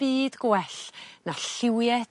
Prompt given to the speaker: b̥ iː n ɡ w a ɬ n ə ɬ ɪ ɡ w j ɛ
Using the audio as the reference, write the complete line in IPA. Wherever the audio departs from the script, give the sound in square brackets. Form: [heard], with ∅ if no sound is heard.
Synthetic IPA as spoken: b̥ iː [d] ɡ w [ɛ] ɬ n [a] ɬ ɪ [∅] w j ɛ